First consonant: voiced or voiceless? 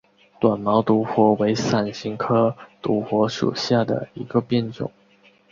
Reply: voiceless